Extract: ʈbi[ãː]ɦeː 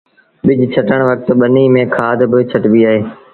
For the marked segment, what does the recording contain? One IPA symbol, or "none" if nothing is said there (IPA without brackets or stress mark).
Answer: aː